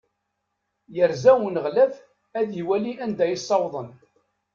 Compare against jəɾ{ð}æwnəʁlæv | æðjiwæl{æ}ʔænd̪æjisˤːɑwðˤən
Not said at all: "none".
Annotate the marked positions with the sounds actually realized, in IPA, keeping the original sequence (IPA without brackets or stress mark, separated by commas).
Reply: z, i